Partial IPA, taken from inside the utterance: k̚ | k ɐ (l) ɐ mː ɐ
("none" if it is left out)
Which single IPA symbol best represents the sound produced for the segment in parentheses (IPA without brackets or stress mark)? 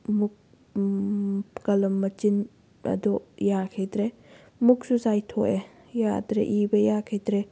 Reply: l